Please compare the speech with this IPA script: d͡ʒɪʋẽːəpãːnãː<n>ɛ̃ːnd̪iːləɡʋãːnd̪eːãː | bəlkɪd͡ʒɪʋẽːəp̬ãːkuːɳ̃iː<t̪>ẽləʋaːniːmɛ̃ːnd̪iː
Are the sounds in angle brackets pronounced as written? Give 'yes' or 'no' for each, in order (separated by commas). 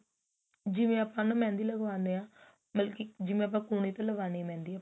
no, yes